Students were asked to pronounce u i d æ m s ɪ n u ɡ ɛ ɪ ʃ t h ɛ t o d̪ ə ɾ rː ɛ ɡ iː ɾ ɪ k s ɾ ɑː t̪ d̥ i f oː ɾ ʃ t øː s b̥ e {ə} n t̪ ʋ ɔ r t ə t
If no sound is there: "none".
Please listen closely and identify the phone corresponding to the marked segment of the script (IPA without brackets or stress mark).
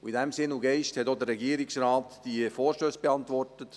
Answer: ɑ